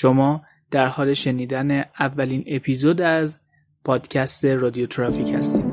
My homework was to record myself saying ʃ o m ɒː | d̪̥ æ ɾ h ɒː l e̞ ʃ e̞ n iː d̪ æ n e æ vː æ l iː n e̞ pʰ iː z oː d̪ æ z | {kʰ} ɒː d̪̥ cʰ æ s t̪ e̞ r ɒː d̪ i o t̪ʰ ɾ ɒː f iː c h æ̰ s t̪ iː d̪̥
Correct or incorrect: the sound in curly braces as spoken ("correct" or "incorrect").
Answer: incorrect